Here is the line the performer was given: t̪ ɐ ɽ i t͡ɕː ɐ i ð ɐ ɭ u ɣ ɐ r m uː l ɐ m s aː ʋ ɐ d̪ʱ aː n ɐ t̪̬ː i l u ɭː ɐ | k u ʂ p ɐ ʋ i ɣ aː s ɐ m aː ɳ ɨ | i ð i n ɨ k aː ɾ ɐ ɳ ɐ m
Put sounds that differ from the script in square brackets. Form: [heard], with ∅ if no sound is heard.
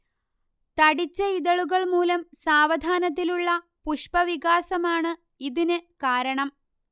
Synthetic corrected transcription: t̪ ɐ ɽ i t͡ɕː ɐ i ð ɐ ɭ u ɣ ɐ [ɭ] m uː l ɐ m s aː ʋ ɐ d̪ʱ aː n ɐ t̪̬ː i l u ɭː ɐ | [p] u ʂ p ɐ ʋ i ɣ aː s ɐ m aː ɳ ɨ | i ð i n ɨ k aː ɾ ɐ ɳ ɐ m